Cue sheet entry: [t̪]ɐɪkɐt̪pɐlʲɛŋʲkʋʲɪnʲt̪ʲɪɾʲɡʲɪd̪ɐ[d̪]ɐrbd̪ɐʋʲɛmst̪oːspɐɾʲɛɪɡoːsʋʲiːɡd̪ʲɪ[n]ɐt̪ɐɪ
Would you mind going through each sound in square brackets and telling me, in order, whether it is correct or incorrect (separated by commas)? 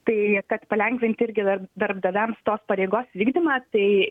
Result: correct, correct, incorrect